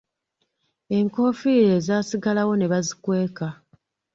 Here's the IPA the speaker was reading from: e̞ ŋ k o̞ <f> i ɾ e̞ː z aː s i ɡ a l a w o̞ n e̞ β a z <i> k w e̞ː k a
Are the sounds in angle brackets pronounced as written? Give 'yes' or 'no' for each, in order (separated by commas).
yes, yes